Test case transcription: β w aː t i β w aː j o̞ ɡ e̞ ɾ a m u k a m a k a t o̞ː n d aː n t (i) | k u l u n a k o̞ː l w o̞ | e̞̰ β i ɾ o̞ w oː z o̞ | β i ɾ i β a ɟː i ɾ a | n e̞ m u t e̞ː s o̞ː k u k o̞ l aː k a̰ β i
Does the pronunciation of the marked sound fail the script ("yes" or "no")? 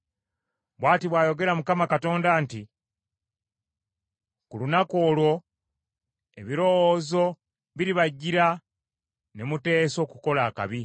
no